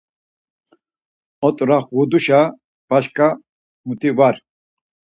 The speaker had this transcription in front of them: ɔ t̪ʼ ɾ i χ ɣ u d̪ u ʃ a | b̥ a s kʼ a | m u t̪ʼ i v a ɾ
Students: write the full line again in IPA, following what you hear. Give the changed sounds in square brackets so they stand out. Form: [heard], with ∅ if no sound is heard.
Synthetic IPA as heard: ɔ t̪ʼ ɾ [a] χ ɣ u d̪ u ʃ a | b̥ a [ʃ] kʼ a | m u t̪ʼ i v a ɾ